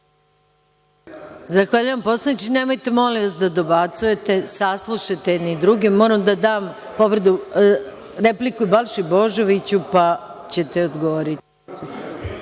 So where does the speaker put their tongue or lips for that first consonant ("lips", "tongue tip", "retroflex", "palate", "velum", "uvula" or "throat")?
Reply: tongue tip